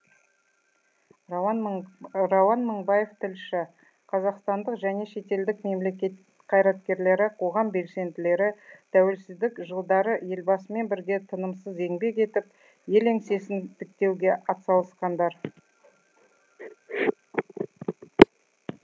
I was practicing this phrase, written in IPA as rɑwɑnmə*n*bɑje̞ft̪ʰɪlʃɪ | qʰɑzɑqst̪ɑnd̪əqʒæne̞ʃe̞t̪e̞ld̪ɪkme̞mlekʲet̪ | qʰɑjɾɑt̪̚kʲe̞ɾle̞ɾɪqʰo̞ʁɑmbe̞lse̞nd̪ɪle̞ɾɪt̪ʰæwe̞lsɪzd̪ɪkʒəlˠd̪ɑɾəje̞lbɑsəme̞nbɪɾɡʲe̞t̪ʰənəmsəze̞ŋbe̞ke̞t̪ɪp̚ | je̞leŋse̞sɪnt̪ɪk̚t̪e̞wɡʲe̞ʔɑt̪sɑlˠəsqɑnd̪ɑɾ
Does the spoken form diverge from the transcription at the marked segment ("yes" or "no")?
yes